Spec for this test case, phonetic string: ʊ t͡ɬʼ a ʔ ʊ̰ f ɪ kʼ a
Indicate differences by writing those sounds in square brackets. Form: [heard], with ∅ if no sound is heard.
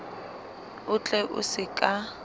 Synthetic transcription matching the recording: ʊ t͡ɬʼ [ɛ] ʔ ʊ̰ [s] ɪ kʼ a